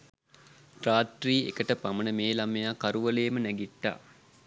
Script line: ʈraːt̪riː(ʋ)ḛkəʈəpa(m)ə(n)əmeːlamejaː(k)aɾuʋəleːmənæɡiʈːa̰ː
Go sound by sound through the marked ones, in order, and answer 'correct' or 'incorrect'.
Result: incorrect: none, correct, correct, correct

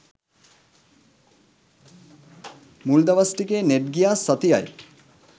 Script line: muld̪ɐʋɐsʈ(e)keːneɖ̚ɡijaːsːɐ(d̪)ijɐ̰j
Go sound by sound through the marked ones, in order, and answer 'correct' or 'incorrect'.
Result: incorrect: i, incorrect: t̪

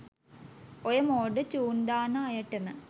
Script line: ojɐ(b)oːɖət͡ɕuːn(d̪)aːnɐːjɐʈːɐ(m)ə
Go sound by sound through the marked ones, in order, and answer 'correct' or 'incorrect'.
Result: incorrect: m, correct, correct

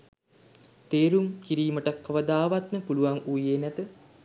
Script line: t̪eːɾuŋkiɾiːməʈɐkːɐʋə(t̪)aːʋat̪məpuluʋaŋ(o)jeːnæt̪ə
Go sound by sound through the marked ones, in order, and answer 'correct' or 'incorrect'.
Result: incorrect: d̪, incorrect: u

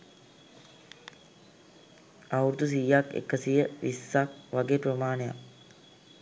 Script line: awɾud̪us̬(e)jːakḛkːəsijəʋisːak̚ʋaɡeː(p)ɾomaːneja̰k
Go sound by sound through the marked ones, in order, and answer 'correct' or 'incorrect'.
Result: incorrect: i, correct

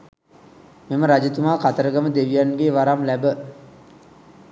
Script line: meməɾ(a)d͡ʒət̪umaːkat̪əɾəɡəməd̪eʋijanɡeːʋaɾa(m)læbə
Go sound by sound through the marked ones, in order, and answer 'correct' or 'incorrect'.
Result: correct, correct

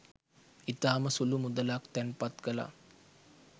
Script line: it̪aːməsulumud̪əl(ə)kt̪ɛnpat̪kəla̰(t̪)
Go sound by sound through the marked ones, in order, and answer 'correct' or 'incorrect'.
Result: incorrect: a, incorrect: none

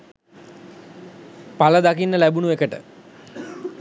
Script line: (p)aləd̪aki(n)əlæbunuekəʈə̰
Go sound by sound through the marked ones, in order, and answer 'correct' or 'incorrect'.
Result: correct, incorrect: nː

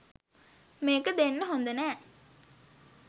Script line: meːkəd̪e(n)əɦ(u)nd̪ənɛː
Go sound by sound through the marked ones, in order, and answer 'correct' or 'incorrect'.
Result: incorrect: nː, incorrect: o

